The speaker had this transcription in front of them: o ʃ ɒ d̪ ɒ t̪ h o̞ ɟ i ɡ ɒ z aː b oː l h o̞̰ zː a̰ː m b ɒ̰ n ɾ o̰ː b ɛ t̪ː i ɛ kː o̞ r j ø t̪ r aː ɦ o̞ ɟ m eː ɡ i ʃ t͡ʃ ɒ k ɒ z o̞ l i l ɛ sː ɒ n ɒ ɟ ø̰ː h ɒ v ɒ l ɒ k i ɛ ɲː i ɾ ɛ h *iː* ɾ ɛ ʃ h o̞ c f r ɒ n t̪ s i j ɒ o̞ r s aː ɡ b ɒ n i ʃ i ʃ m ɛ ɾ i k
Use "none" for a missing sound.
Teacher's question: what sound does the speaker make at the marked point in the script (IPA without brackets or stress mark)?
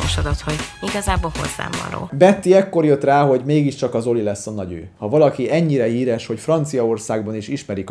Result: iː